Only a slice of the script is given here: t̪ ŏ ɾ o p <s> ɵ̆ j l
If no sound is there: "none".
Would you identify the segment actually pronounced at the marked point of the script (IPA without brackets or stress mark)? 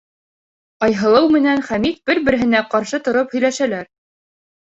h